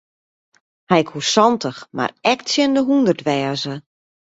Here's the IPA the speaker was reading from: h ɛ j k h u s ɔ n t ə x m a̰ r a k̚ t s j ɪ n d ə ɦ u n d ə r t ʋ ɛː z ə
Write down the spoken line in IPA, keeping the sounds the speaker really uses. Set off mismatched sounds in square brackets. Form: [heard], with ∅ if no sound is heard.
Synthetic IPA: h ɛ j k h u s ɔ n t ə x m a̰ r [ɛ] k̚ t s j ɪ n d ə ɦ u n d ə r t ʋ ɛː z ə